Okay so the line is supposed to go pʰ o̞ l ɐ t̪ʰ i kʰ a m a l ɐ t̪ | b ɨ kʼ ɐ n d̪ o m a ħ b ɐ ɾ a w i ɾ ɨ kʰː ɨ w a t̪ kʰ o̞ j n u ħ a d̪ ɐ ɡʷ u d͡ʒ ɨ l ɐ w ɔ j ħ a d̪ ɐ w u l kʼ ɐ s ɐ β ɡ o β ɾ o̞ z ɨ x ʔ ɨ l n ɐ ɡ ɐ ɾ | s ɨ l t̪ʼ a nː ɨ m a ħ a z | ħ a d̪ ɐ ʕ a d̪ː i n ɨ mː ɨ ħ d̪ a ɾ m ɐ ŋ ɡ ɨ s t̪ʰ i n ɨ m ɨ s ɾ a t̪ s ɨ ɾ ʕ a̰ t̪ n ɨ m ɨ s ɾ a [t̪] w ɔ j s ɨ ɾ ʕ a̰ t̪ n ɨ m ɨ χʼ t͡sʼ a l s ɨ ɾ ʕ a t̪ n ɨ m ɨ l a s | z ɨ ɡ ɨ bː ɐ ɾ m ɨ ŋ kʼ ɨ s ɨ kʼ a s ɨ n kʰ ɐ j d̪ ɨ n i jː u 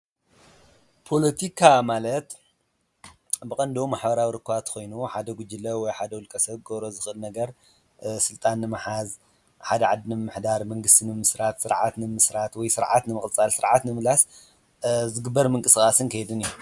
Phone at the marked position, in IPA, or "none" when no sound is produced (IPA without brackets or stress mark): t̪